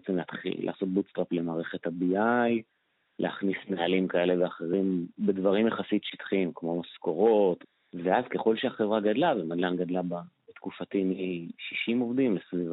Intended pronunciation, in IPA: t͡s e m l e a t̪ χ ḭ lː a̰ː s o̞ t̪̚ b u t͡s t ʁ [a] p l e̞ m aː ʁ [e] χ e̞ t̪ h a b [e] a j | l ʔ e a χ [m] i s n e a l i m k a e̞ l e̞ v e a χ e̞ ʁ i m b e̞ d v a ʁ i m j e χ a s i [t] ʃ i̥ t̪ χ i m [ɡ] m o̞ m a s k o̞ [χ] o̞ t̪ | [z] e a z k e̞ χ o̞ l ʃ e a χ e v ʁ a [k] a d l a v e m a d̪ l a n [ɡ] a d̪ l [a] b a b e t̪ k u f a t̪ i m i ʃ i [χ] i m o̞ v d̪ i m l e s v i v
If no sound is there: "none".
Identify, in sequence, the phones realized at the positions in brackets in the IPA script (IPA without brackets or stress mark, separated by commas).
a, e, i, n, t, k, ʁ, v, ɡ, ɡ, a, ʃ